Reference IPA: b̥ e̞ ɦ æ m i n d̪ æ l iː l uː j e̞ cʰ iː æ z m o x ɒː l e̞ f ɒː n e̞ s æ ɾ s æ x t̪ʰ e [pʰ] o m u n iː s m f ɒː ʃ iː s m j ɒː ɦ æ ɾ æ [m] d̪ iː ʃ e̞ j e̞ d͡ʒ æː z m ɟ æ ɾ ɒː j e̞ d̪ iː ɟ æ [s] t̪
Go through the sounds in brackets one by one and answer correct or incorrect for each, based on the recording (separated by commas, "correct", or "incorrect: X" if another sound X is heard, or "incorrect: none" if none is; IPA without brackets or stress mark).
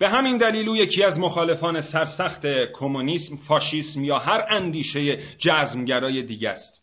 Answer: incorrect: kʰ, incorrect: n, correct